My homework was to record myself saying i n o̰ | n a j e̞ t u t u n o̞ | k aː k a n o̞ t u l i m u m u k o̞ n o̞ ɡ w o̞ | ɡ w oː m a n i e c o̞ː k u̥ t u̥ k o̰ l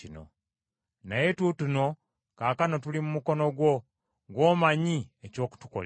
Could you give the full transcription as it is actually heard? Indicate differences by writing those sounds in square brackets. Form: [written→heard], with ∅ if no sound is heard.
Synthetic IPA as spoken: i n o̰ | n a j e̞ t u t u n o̞ | k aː k a n o̞ t u l i m u m u k o̞ n o̞ ɡ w o̞ | ɡ w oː m a [n→ɲ] i e c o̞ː k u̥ t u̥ k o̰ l